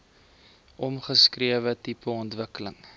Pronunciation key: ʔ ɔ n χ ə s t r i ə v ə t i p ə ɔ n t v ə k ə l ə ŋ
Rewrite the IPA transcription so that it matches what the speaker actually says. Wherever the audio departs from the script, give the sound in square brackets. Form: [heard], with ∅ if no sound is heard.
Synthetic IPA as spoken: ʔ ɔ [m] χ ə s [k] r i ə v ə t i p ə ɔ n t v ə k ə l ə ŋ